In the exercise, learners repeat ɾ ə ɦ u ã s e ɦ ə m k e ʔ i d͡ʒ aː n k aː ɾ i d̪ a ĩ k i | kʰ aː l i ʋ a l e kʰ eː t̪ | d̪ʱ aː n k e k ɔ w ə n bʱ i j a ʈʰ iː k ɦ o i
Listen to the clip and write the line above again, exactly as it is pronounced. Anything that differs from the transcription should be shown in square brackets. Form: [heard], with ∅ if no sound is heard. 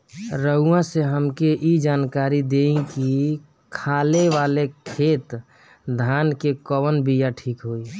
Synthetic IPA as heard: ɾ ə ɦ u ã s e ɦ ə m k e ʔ i d͡ʒ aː n k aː ɾ i d̪ [e] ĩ k i | kʰ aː l [e] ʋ a l e kʰ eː t̪ | d̪ʱ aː n k e k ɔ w ə n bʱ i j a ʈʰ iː k ɦ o i

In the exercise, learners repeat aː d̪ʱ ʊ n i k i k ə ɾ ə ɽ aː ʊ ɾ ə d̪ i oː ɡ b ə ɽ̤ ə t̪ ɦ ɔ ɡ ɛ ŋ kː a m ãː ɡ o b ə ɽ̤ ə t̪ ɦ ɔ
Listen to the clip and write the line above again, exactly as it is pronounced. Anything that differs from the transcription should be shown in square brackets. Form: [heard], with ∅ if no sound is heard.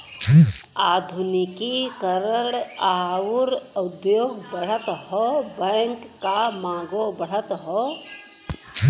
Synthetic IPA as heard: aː d̪ʱ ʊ n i k i k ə ɾ ə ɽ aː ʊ ɾ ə d̪ [j] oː ɡ b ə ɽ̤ ə t̪ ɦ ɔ [b] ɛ ŋ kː a m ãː ɡ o b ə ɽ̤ ə t̪ ɦ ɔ

